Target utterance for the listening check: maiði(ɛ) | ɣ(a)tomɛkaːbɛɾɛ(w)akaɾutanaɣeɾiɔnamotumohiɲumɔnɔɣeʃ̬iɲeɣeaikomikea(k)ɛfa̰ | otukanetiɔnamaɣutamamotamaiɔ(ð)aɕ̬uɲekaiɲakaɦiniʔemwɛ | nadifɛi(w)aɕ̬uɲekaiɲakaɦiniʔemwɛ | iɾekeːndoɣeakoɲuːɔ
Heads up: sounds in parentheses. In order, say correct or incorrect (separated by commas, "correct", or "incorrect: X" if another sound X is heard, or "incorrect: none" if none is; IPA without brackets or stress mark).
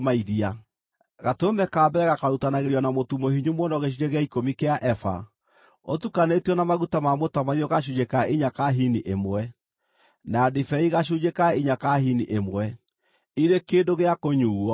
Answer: incorrect: a, correct, incorrect: ɣ, incorrect: ʔ, incorrect: ɣ, incorrect: ɣ